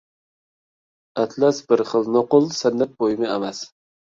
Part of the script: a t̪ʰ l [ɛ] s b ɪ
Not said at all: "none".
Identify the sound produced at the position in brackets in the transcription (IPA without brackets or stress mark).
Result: a